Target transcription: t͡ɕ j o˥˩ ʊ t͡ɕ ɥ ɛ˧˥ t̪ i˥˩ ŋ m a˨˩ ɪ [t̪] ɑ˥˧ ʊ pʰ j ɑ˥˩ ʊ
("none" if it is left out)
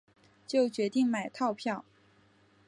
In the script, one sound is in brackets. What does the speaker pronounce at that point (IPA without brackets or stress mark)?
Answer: t̪ʰ